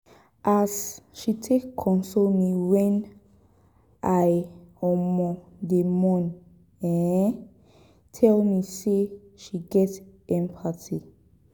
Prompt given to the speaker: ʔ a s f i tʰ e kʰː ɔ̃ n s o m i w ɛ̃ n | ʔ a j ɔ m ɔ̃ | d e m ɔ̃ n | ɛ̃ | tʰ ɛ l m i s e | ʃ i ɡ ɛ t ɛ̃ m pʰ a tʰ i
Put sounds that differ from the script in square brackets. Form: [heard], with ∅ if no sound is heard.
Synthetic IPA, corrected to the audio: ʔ a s [ʃ] i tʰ e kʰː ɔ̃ n s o m i w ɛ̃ n | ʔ a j ɔ m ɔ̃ | d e m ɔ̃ n | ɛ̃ | tʰ ɛ l m i s e | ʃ i ɡ ɛ t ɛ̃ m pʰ a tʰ i